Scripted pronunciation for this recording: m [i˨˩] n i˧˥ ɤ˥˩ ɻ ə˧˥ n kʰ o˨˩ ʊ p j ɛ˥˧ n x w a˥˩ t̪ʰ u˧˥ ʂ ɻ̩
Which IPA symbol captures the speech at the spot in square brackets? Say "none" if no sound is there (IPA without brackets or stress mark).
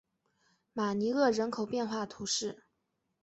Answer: a˨˩